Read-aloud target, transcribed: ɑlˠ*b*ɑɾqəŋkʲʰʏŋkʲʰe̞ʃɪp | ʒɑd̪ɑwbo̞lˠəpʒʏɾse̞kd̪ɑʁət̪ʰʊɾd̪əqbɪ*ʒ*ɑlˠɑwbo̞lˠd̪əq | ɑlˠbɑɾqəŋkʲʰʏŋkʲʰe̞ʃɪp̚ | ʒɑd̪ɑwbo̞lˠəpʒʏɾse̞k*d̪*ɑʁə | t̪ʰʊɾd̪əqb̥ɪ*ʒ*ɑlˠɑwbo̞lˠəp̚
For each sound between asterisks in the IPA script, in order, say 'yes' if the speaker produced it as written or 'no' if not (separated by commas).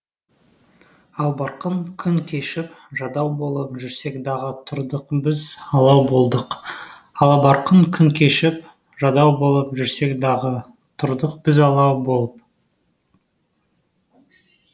yes, no, yes, no